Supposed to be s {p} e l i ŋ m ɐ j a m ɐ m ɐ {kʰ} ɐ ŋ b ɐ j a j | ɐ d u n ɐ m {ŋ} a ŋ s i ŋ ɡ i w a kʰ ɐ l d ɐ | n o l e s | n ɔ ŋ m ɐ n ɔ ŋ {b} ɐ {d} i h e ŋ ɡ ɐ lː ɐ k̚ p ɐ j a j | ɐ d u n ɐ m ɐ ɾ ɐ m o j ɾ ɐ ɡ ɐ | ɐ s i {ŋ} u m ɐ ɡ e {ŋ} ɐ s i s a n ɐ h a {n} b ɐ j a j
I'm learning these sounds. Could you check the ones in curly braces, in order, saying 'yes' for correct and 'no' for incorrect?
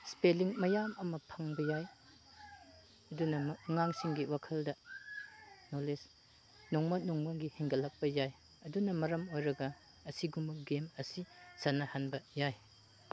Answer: yes, no, yes, no, no, no, no, yes

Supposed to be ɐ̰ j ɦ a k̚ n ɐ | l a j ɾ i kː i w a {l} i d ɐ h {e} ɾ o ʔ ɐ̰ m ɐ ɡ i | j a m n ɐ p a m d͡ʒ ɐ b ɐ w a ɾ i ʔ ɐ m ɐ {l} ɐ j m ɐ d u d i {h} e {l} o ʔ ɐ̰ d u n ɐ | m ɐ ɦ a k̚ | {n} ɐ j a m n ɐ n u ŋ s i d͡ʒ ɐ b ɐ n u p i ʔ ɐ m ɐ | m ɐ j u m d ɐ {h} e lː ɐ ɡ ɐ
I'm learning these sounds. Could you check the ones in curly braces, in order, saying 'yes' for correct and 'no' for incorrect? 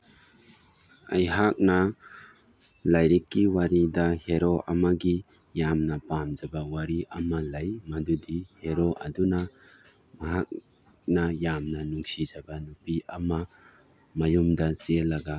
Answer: no, yes, yes, yes, no, yes, no

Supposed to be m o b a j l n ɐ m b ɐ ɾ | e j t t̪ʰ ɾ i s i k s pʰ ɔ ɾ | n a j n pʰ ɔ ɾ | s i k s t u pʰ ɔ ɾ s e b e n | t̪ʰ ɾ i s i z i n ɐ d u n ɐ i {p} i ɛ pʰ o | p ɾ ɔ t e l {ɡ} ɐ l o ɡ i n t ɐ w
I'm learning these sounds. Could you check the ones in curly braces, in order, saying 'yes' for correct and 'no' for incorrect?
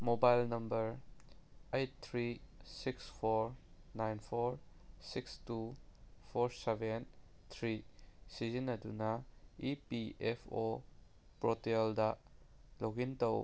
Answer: yes, no

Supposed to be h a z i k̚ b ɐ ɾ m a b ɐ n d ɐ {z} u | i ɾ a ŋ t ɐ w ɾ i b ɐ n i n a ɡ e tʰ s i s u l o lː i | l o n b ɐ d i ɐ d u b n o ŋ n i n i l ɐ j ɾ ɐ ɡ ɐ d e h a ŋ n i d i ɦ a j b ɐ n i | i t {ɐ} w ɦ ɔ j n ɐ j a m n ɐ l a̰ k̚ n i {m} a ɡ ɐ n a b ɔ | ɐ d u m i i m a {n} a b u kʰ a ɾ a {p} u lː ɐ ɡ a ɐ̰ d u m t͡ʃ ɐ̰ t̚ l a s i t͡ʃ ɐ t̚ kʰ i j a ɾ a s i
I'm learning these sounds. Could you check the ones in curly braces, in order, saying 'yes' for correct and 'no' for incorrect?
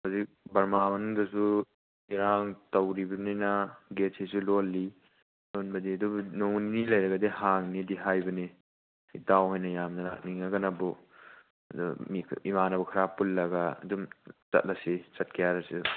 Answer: no, no, no, yes, yes

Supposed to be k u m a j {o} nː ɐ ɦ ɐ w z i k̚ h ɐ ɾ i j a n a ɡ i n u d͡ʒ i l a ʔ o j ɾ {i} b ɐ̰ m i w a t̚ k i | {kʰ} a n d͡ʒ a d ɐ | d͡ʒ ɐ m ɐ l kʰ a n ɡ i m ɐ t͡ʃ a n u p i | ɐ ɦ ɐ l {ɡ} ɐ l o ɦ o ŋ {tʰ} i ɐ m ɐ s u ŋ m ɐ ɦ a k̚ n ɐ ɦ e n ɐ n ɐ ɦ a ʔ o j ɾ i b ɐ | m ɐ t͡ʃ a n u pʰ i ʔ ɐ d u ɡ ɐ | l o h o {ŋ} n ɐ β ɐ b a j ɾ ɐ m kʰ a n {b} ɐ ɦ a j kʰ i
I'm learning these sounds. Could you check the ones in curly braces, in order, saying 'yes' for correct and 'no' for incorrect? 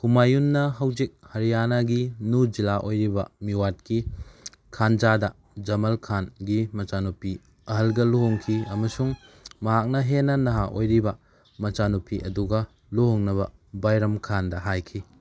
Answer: no, yes, yes, yes, no, yes, no

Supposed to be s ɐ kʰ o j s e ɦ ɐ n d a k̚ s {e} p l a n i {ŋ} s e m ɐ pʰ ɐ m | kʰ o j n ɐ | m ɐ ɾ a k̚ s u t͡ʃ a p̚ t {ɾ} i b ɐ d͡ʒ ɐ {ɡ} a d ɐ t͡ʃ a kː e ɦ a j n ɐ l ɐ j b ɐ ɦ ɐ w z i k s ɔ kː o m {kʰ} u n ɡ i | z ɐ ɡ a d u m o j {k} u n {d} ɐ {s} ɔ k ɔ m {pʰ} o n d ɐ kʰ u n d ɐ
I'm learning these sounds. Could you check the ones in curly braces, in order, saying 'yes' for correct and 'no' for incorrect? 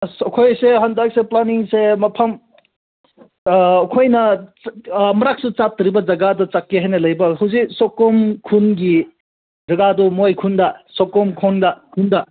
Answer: yes, yes, yes, yes, yes, no, yes, yes, no

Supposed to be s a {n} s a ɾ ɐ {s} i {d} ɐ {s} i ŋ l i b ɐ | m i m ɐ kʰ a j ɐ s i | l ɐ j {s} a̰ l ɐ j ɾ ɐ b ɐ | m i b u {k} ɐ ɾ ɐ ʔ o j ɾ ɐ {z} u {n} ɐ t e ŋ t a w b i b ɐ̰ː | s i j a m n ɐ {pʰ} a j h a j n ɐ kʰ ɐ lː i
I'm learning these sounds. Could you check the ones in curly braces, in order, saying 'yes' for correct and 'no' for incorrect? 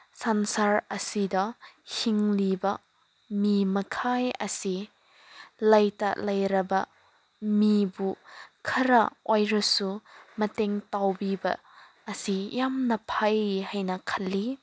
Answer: yes, yes, yes, no, no, no, no, no, yes

